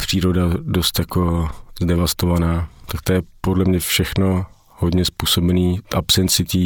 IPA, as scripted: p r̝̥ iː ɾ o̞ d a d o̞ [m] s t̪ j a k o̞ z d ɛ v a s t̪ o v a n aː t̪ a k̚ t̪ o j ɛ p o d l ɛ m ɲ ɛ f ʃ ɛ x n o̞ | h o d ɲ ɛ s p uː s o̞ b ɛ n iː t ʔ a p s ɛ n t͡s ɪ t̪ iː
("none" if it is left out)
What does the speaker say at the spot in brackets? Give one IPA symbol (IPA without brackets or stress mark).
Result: none